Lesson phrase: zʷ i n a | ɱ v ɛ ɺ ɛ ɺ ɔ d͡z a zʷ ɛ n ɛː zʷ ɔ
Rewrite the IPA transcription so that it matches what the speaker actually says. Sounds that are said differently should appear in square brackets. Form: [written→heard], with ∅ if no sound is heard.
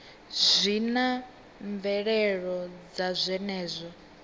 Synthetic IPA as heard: zʷ i n a | ɱ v ɛ ɺ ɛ ɺ ɔ d͡z a zʷ ɛ n ɛː zʷ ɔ